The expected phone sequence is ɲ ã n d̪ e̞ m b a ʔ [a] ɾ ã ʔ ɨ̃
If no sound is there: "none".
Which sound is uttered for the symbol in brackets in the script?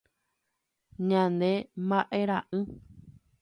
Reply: e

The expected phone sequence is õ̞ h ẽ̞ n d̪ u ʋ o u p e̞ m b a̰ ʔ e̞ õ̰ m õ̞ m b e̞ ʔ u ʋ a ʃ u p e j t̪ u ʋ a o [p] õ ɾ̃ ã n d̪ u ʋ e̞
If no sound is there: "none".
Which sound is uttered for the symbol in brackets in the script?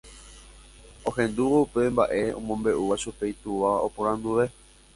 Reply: p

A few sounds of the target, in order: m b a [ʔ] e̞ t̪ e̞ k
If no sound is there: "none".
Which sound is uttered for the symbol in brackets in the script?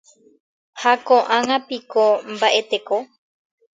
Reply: ʔ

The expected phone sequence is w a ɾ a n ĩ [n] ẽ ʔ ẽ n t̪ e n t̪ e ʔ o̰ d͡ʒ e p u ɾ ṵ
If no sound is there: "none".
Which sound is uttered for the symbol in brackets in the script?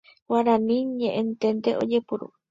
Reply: ɲ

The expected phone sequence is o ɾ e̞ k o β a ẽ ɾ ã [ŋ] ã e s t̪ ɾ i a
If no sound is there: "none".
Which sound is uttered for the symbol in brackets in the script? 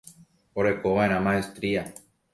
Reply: m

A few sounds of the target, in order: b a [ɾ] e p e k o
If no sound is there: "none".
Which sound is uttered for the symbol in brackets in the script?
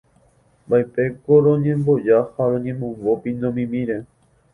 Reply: none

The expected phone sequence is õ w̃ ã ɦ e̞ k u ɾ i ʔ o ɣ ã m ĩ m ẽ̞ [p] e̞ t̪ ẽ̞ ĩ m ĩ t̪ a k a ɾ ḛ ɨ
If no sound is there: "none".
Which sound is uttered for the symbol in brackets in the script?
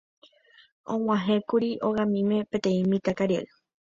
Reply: p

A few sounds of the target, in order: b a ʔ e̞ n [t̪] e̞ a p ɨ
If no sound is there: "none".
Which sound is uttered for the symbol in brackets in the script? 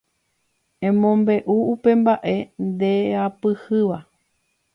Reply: d̪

